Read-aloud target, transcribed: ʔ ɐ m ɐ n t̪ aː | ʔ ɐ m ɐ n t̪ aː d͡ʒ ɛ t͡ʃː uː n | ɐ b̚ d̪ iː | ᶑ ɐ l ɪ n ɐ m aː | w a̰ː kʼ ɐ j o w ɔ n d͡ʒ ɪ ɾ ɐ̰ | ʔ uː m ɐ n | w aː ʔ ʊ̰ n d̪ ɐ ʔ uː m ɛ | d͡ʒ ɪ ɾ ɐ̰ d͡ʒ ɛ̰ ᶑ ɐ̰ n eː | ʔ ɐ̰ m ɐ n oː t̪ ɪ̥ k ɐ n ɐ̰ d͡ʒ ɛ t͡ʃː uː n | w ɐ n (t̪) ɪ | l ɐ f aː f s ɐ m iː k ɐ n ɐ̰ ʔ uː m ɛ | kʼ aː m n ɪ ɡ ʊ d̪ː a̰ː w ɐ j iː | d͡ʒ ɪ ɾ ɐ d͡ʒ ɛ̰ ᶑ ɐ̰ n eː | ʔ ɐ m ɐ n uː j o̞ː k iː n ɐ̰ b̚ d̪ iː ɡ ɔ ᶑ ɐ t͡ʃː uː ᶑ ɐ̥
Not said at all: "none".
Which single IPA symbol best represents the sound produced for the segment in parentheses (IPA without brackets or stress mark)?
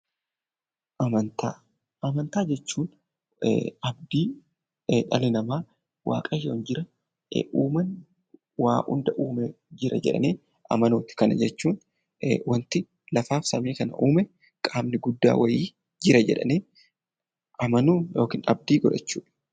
t̪